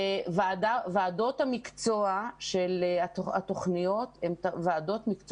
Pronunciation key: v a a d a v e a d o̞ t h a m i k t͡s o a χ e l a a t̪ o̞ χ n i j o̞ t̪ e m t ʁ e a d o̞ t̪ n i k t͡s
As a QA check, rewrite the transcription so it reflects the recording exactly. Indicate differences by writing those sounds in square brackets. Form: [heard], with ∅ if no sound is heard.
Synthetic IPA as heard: v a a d a v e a d o̞ t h a m i k t͡s o a [ʃ] e l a a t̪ o̞ χ n i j o̞ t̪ e m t [v] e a d o̞ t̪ [m] i k t͡s